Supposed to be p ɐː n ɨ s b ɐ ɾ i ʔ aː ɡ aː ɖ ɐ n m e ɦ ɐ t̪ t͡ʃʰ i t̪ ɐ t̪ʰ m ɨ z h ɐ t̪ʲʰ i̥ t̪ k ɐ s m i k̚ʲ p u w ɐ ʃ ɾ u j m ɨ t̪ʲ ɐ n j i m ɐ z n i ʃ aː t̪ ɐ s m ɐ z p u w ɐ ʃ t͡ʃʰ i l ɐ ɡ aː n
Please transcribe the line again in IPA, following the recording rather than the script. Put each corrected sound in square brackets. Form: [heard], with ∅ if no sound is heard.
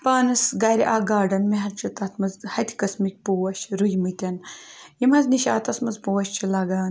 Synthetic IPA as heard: p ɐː n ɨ s [ɡ] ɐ ɾ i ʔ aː ɡ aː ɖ ɐ n m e ɦ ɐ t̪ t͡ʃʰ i t̪ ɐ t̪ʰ m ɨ z h ɐ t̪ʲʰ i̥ [∅] k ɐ s m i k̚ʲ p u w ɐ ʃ ɾ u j m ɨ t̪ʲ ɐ n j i m ɐ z n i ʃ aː t̪ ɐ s m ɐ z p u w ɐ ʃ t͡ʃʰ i l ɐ ɡ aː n